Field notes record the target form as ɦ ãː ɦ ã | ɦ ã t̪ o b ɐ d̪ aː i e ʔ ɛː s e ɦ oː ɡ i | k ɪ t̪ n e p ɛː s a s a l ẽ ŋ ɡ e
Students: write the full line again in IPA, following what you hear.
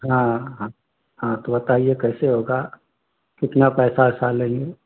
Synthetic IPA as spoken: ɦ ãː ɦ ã | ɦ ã t̪ o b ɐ t̪ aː i e k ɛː s e ɦ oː ɡ a | k ɪ t̪ n a p ɛː s a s a l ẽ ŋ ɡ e

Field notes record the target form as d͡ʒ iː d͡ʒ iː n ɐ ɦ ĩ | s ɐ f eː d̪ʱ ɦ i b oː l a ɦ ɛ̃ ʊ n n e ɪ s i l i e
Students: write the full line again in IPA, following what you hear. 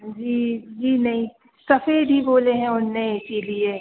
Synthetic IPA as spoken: d͡ʒ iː d͡ʒ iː n ɐ ɦ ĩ | s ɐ f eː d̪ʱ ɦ i b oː l e ɦ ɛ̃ ʊ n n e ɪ s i l i e

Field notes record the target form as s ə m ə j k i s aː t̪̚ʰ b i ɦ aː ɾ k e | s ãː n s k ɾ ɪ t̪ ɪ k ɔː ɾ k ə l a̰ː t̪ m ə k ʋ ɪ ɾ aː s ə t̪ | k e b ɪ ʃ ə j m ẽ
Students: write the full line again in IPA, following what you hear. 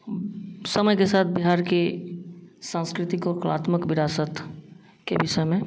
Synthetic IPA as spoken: s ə m ə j k e s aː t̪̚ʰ b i ɦ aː ɾ k e | s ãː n s k ɾ ɪ t̪ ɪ k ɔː ɾ k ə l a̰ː t̪ m ə k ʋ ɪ ɾ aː s ə t̪ | k e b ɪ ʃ ə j m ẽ

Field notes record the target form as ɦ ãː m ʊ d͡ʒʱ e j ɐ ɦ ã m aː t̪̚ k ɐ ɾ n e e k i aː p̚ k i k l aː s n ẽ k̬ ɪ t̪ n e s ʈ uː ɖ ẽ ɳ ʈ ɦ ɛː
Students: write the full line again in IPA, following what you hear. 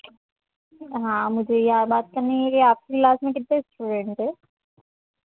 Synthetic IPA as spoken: ɦ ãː m ʊ d͡ʒʱ e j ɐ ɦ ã b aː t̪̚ k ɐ ɾ n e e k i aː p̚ k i k l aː s m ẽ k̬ ɪ t̪ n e s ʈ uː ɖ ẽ ɳ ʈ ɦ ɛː

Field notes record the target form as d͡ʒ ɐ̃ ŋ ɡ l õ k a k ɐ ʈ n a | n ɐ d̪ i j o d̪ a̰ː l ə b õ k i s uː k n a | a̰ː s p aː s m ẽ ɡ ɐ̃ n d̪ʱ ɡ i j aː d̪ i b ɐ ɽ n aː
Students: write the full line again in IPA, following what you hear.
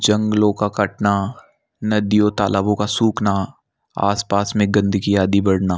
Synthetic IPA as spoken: d͡ʒ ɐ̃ ŋ ɡ l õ k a k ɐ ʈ n a | n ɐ d̪ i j o t̪ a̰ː l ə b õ k a s uː k n a | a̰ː s p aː s m ẽ ɡ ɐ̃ n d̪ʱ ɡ i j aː d̪ i b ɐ ɽ n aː

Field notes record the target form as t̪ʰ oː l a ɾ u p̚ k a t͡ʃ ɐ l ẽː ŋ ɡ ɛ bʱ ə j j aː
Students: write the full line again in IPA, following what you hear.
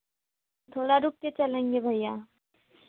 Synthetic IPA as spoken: t̪ʰ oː ɽ a ɾ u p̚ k e t͡ʃ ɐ l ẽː ŋ ɡ e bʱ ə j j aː

